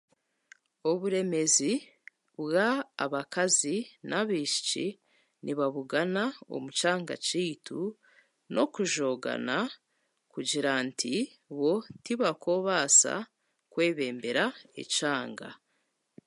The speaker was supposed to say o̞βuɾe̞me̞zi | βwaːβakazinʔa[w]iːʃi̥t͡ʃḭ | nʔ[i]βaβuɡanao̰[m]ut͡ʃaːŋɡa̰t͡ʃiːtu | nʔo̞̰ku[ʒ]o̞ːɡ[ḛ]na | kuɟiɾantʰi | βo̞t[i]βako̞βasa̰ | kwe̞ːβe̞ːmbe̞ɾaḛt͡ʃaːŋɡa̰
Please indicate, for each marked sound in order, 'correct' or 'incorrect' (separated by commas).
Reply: incorrect, correct, correct, correct, incorrect, correct